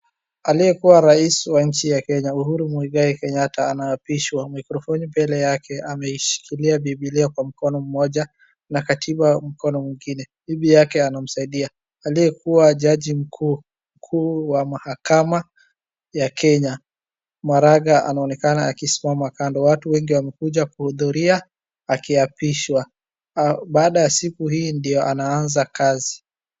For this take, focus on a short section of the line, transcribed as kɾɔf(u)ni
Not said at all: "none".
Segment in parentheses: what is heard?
ɔ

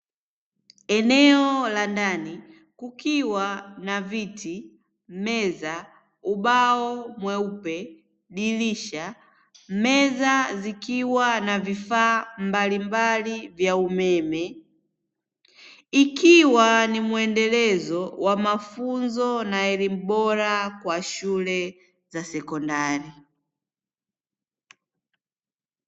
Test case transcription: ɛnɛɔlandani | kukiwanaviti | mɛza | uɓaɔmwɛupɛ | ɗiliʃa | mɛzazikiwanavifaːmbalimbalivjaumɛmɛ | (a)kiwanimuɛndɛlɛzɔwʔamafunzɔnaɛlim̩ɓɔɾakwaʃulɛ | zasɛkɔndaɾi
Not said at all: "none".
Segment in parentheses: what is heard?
i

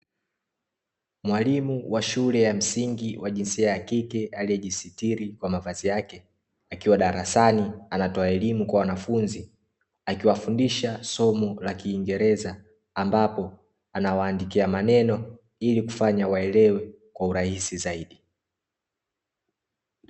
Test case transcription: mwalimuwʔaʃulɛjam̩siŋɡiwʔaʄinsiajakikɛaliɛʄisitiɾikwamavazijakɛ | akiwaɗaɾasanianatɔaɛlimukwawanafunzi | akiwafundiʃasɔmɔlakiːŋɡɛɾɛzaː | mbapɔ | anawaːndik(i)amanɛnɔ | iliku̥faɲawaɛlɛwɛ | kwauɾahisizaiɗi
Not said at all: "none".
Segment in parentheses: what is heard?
i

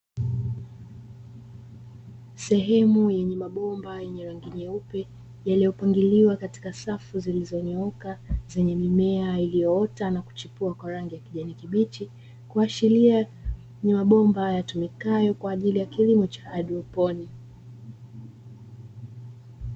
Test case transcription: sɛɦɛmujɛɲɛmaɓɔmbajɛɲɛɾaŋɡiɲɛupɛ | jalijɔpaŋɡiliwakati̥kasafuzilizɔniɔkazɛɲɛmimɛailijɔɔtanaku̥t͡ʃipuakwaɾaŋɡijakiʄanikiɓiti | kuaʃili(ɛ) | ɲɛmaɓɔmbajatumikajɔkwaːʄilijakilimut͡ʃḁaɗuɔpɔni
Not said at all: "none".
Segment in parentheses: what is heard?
a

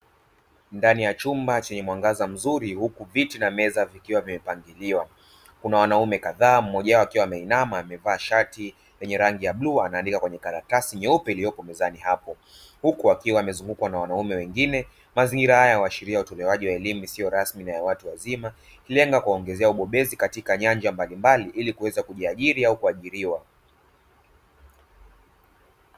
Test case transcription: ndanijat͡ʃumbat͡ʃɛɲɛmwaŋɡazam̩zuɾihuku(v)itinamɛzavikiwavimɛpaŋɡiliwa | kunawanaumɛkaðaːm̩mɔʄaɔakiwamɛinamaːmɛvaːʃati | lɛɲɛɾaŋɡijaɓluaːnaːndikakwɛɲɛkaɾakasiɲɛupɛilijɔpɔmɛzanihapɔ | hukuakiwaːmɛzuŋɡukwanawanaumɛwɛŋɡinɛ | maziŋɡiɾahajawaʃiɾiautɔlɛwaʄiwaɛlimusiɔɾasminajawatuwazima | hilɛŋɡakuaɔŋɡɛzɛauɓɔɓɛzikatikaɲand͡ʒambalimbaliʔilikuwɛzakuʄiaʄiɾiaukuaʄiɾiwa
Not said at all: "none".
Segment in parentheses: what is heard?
v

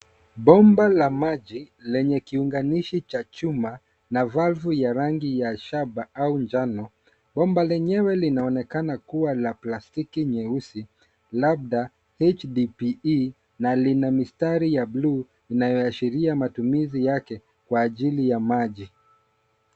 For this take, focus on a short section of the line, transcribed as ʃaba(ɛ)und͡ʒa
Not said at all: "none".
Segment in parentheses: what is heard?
a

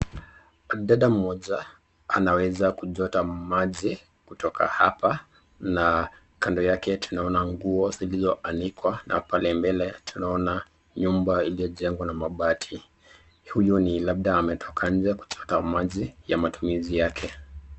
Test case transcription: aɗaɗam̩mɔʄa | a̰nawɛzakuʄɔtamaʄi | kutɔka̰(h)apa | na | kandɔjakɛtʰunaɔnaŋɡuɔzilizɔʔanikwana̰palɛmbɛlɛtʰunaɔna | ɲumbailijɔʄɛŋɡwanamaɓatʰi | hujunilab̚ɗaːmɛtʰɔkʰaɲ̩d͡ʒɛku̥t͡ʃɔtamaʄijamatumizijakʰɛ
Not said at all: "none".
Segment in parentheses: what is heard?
h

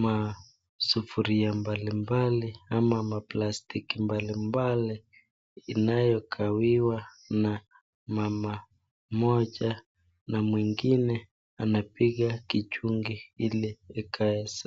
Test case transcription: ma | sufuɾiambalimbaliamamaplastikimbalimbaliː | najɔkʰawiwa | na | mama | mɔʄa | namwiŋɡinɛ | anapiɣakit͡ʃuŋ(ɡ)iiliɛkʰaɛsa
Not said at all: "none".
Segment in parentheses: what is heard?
ɡ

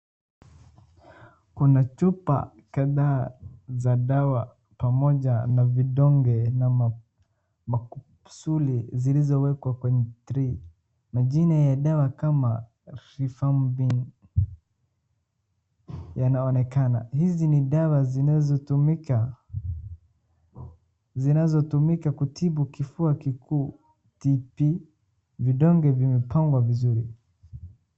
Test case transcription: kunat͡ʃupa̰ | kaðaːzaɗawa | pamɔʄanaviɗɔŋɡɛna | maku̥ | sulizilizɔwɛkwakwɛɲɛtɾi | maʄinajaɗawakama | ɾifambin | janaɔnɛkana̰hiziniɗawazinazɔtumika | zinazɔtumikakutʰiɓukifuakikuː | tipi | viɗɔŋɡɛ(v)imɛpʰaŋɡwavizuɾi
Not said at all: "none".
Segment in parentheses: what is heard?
v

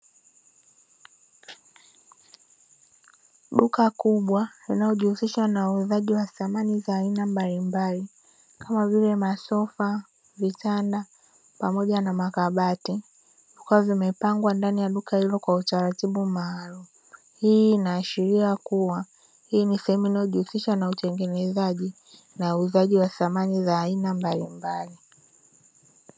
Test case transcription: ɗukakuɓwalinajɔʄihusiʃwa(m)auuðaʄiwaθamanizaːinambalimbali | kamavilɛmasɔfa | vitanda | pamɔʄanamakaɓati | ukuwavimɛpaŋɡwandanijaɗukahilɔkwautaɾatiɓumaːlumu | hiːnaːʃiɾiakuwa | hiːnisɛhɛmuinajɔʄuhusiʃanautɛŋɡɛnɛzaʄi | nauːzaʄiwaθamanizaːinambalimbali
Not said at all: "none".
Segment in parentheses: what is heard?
n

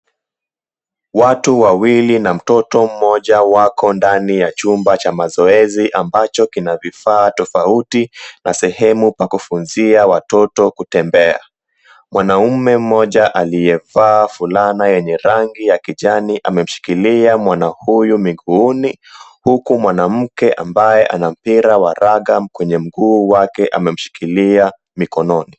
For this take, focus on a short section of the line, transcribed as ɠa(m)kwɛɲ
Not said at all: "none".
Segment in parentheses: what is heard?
m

